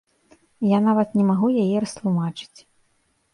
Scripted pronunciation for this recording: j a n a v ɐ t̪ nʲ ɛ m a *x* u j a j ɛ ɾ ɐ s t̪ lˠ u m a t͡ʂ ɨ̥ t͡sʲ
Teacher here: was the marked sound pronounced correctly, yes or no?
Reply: no